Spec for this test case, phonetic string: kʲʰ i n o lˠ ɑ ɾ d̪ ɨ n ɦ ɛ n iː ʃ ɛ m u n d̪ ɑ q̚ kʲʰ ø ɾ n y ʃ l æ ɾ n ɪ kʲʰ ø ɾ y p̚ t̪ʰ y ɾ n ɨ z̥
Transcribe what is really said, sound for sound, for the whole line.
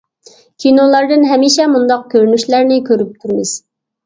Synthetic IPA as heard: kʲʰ i n o lˠ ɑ ɾ d̪ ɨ n ɦ ɛ m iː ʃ ɛ m u n d̪ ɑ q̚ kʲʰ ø ɾ n y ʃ l æ ɾ n ɪ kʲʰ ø ɾ y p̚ t̪ʰ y ɾ m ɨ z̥